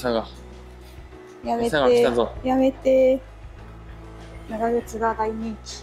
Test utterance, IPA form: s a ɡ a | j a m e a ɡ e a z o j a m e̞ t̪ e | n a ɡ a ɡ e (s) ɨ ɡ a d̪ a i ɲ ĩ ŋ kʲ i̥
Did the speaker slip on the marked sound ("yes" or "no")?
yes